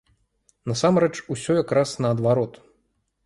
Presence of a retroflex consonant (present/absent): present